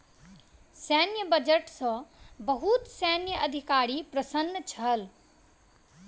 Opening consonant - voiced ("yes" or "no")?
no